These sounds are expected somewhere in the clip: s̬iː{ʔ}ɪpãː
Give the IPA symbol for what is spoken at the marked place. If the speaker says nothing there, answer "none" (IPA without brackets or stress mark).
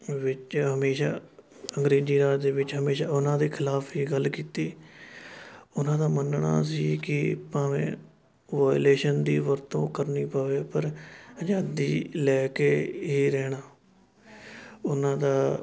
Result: k